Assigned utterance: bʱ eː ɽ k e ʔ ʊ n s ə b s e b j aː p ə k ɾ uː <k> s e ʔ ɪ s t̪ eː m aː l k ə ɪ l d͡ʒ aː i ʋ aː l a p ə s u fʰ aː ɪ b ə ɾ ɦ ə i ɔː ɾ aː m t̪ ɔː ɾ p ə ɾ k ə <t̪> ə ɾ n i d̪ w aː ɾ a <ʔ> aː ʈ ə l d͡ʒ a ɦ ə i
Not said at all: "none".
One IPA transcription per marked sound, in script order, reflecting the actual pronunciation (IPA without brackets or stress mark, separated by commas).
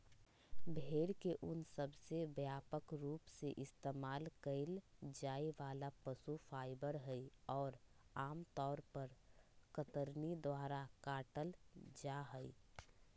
p, t̪, k